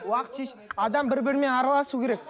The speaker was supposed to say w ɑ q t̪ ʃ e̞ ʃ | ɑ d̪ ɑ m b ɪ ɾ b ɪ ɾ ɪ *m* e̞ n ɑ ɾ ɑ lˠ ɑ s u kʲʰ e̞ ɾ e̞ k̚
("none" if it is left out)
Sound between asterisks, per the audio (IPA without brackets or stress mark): m